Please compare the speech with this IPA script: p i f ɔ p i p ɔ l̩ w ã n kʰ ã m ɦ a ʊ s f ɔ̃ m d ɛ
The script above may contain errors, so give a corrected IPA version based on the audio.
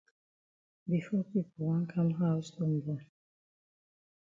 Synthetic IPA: b i f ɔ p i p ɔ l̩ w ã n kʰ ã m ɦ a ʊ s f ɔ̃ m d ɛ